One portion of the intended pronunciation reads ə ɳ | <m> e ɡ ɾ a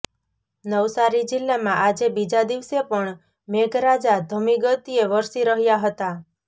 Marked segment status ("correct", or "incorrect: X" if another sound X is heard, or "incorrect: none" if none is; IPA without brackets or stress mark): correct